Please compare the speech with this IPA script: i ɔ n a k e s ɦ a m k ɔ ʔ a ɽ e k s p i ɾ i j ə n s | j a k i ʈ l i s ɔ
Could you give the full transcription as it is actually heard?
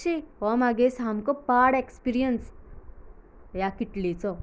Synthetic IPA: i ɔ m a ɡ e s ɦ a m k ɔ p a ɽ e k s p i ɾ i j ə n s | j a k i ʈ l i t͡s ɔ